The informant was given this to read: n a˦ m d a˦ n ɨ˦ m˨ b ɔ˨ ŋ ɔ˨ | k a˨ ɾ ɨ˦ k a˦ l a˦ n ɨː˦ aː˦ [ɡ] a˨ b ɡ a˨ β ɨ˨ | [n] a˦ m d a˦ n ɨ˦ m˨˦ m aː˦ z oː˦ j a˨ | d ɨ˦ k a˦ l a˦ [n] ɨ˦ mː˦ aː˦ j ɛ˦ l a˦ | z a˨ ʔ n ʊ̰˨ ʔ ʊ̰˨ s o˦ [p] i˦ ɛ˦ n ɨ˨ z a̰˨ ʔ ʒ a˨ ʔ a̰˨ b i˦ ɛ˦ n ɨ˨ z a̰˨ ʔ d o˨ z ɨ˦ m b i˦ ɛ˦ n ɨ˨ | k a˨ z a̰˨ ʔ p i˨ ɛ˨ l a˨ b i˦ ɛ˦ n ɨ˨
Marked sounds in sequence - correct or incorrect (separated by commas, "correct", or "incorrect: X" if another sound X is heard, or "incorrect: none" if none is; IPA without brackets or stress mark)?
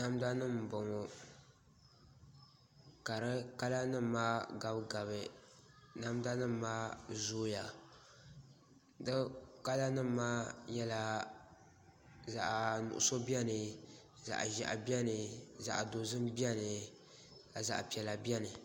correct, correct, correct, incorrect: b